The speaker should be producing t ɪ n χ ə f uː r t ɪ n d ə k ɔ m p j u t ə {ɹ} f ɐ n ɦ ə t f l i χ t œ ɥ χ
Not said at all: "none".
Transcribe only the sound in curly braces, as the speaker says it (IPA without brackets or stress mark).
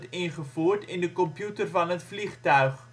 r